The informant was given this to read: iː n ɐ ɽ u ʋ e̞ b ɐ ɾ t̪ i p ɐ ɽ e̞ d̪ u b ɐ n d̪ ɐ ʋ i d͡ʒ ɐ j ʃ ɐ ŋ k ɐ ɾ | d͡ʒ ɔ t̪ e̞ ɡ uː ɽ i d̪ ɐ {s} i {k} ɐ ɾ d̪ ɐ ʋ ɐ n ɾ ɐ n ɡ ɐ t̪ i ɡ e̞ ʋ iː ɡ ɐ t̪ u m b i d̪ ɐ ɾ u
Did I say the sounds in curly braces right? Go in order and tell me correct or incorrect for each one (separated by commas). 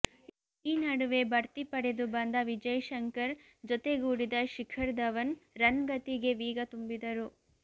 incorrect, incorrect